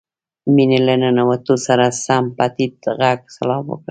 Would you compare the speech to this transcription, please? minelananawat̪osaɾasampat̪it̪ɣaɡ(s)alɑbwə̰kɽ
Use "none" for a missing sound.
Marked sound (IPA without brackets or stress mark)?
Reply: s